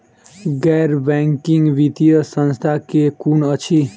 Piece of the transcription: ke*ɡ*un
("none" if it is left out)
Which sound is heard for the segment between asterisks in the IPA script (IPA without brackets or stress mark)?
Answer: k